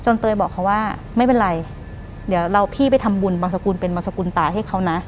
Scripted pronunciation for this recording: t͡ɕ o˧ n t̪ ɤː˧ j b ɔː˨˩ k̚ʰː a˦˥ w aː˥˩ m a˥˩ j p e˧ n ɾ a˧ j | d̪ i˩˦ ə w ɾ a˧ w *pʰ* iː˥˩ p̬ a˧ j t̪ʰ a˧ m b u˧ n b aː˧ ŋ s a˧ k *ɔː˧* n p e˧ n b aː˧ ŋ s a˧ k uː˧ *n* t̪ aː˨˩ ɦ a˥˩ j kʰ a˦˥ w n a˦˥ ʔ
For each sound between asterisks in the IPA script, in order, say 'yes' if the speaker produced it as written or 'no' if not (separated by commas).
yes, no, yes